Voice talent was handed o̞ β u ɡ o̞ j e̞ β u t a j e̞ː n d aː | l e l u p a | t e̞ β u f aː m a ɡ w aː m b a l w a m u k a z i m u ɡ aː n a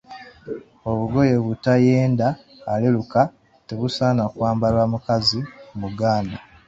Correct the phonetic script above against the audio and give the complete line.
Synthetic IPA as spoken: o̞ β u ɡ o̞ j e̞ β u t a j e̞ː n d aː | l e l u k a | t e̞ β u s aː n a k w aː m b a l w a m u k a z i m u ɡ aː n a

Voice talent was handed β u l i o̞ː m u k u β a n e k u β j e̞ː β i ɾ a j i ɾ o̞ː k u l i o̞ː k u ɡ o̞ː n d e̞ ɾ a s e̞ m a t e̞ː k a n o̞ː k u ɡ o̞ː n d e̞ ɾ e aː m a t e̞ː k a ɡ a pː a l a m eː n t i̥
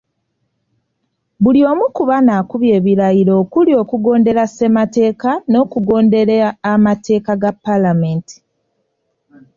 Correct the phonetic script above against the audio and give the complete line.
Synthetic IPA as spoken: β u l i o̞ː m u k u β a n a k u β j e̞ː β i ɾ a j i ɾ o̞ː k u l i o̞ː k u ɡ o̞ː n d e̞ ɾ a s e̞ m a t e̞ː k a n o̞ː k u ɡ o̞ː n d e̞ ɾ e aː m a t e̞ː k a ɡ a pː a l a m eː n t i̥

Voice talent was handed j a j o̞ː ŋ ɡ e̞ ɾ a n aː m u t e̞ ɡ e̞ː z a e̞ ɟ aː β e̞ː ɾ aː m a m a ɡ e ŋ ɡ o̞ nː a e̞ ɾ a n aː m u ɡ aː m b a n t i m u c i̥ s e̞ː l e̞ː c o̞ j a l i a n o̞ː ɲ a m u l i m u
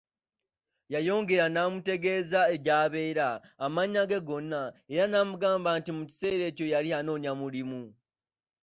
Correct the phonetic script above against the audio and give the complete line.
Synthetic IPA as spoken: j a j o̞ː ŋ ɡ e̞ ɾ a n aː m u t e̞ ɡ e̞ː z a e̞ ɟ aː β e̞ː ɾ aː m a ɲ a ɡ e ɡ o̞ nː a e̞ ɾ a n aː m u ɡ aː m b a n t i m u c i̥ s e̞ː ɾ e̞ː c o̞ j a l i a n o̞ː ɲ a m u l i m u

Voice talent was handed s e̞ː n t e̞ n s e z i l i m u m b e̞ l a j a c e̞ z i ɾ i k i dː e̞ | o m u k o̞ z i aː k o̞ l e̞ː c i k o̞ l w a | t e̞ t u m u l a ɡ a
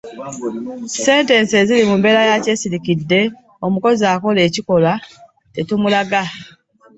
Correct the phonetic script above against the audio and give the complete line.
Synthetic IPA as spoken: s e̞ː n t e̞ n s e z i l i m u m b e̞ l a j a c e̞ s i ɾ i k i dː e̞ | o m u k o̞ z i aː k o̞ l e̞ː c i k o̞ l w a | t e̞ t u m u l a ɡ a

